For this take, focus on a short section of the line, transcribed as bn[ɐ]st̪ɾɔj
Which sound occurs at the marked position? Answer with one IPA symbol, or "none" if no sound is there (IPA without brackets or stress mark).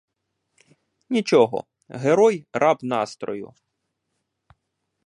ɑ